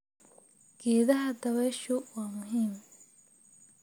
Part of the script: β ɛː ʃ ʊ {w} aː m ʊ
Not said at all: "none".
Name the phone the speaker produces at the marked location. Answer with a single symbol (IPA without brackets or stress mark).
w